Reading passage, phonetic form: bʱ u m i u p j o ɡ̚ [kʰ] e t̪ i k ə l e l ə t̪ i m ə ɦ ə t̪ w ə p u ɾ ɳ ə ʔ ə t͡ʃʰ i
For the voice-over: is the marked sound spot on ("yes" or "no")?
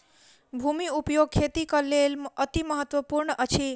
yes